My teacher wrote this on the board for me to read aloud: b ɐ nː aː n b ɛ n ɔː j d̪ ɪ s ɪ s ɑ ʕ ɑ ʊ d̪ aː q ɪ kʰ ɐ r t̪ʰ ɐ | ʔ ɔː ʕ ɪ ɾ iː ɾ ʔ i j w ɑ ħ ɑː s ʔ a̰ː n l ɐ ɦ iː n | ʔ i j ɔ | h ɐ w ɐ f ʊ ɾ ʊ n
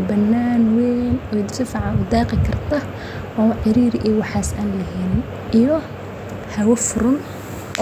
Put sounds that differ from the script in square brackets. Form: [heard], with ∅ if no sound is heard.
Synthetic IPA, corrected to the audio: b ɐ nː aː n [w] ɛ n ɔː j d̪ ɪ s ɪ [f] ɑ ʕ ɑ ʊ d̪ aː q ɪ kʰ ɐ r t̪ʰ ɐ | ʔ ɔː ʕ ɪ ɾ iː ɾ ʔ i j w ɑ ħ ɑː s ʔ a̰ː n l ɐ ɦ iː n | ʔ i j ɔ | h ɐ w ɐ f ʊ ɾ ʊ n